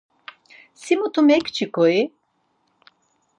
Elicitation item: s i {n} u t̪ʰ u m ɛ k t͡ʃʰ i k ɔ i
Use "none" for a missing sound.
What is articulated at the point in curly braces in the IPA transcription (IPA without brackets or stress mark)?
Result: m